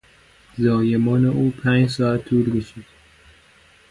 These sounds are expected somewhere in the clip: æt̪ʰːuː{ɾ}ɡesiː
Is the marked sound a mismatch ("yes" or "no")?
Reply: yes